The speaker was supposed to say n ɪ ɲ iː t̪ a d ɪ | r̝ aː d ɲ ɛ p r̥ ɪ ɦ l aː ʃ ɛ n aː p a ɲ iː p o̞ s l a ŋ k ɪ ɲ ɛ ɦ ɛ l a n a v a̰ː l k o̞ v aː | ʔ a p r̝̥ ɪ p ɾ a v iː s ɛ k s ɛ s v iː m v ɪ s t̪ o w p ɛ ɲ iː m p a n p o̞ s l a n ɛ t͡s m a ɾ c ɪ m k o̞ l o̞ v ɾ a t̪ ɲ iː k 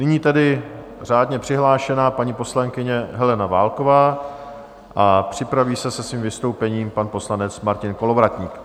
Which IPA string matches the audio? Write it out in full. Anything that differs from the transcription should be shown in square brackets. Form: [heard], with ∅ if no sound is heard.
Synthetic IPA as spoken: n ɪ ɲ iː t̪ [ɛ] d ɪ | r̝ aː d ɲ ɛ p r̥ ɪ ɦ l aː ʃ ɛ n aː p a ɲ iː p o̞ s l a ŋ k ɪ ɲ ɛ ɦ ɛ l [ɛ] n a v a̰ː l k o̞ v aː | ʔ a p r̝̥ ɪ p ɾ a v iː s ɛ [∅] s ɛ s v iː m v ɪ s t̪ o w p ɛ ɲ iː m p a n p o̞ s l a n ɛ t͡s m a ɾ c ɪ [n] k o̞ l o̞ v ɾ a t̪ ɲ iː k